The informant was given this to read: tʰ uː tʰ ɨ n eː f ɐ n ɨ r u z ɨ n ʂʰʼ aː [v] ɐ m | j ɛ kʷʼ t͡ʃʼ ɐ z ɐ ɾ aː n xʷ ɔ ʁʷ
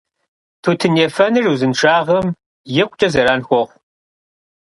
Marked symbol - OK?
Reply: no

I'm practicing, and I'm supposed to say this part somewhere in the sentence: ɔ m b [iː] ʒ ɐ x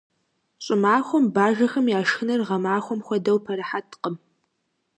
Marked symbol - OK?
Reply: no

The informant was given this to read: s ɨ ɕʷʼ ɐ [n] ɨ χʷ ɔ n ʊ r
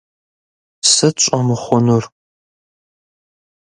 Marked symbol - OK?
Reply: no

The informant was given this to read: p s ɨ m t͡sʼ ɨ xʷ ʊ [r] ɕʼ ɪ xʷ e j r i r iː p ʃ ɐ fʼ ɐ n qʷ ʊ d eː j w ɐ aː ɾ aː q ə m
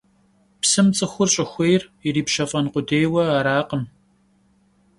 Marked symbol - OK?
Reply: yes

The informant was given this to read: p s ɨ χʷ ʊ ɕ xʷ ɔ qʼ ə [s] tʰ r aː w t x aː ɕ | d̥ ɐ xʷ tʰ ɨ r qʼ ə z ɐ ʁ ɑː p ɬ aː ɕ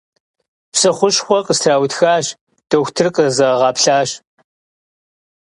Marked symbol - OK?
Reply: yes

